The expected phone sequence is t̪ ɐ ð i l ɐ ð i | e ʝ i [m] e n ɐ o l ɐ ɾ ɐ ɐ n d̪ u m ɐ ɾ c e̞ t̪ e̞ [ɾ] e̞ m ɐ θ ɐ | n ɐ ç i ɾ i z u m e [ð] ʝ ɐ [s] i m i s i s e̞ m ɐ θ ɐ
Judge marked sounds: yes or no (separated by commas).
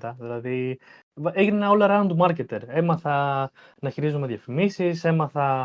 no, yes, yes, no